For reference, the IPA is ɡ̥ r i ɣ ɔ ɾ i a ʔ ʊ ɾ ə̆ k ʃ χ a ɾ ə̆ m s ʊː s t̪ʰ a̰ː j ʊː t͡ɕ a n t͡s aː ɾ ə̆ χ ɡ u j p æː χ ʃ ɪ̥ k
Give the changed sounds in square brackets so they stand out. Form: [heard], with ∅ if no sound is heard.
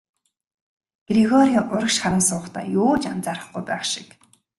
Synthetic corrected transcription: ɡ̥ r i ɣ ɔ ɾ i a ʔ ʊ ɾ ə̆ k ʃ χ a ɾ ə̆ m s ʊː [χ] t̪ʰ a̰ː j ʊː t͡ɕ a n t͡s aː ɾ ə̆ χ ɡ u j p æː χ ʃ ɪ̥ k